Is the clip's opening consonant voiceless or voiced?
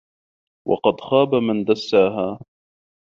voiced